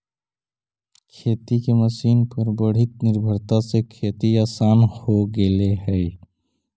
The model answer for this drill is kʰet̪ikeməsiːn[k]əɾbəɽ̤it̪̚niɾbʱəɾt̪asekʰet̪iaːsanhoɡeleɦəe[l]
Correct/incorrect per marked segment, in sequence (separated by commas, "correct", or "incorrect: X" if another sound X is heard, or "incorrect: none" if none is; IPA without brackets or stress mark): incorrect: p, incorrect: none